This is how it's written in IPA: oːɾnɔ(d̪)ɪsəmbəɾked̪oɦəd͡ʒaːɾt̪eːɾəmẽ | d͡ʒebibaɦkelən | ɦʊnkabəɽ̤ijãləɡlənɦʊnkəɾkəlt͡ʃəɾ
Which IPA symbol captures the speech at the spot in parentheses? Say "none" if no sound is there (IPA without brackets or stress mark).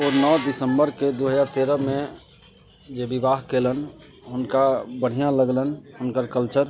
d̪